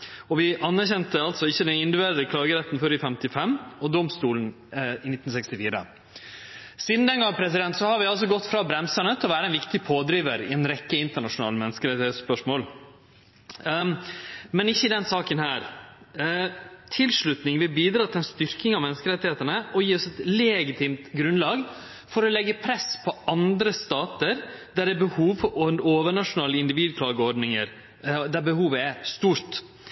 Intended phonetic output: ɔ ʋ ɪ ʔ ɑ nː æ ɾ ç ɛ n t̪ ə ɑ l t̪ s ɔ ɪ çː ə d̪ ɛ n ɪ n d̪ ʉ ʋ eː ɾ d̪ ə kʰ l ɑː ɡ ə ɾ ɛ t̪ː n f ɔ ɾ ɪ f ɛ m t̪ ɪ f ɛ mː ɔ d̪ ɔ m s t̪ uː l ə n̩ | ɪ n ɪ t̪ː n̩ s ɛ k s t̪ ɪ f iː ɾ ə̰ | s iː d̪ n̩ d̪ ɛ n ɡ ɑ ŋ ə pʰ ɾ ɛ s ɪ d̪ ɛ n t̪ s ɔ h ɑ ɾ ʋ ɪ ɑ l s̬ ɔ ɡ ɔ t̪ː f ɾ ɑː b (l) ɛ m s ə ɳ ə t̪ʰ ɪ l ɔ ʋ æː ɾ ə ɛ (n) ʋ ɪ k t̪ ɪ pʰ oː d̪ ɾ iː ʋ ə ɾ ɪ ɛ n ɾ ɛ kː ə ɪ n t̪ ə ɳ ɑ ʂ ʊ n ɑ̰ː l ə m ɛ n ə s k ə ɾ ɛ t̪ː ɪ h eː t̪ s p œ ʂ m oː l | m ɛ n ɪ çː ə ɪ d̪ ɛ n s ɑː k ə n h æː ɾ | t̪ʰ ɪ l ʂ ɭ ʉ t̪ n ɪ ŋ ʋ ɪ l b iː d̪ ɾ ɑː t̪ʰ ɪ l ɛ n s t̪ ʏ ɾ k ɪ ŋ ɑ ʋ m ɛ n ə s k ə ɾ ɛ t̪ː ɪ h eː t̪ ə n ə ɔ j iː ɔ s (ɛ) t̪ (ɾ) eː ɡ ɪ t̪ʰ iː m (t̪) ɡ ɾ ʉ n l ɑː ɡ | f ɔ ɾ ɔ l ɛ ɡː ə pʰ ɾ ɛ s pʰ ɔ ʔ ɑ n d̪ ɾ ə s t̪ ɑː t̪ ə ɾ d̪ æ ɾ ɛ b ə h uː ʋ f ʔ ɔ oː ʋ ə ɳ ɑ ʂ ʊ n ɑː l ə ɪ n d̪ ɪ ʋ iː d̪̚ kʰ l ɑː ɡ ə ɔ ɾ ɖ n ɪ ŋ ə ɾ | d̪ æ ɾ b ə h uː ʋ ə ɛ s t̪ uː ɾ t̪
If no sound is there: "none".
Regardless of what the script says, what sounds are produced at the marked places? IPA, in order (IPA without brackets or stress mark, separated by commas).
ɾ, n, ɛ, l, t̪